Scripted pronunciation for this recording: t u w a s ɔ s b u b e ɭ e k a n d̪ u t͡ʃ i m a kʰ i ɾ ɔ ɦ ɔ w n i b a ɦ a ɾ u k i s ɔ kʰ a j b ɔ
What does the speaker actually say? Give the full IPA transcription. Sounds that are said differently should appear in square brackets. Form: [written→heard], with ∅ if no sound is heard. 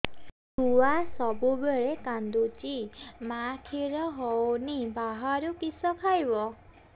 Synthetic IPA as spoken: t u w a s ɔ [s→∅] b u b e ɭ e k a n d̪ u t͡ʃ i m a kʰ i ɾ ɔ ɦ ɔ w n i b a ɦ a ɾ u k i s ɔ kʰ a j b ɔ